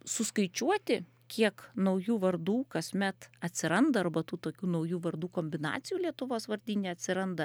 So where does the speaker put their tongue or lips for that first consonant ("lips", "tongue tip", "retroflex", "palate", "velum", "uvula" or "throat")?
tongue tip